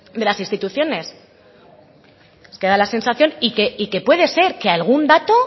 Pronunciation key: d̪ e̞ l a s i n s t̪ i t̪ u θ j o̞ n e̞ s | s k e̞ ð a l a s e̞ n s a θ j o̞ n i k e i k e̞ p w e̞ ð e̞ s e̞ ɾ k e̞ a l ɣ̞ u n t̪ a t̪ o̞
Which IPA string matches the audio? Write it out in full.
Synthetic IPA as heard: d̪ e̞ l a s i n s t̪ i t̪ u θ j o̞ n e̞ s | s k e̞ ð a l a s e̞ n s a θ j o̞ n i k e i k e̞ p w e̞ ð e̞ s e̞ ɾ k e̞ a l ɣ̞ u n d̪ a t̪ o̞